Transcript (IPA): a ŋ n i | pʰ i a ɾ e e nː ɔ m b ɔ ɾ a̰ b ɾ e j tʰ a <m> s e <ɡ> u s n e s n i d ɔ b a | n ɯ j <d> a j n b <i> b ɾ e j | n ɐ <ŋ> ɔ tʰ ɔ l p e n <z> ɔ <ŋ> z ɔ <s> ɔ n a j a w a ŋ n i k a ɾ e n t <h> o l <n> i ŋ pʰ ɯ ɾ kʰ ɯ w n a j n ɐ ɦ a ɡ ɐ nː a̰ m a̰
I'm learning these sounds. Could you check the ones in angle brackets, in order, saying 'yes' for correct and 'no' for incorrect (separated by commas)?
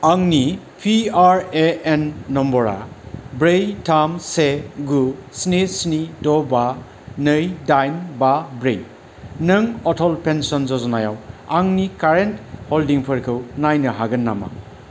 yes, yes, yes, no, yes, no, no, no, yes, no